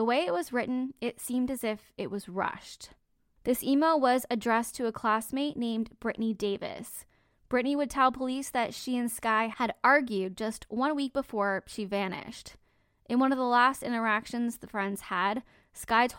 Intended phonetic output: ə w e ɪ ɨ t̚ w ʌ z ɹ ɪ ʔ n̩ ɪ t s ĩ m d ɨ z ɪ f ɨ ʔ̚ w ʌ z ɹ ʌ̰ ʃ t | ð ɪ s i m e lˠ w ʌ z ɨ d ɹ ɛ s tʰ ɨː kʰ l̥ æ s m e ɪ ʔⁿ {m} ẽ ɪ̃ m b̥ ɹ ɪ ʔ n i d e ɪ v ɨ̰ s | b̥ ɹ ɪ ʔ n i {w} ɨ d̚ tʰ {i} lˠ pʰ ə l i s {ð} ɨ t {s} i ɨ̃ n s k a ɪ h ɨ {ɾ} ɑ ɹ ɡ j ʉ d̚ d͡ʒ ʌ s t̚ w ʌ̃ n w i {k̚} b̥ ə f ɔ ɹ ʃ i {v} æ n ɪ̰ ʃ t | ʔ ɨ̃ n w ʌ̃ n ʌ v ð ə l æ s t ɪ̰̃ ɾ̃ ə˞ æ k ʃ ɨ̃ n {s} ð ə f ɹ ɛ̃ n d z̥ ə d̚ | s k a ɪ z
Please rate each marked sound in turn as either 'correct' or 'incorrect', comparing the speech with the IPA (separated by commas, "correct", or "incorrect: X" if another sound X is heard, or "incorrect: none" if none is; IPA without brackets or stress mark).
incorrect: n, correct, incorrect: ɛ, correct, incorrect: ʃ, correct, correct, correct, incorrect: z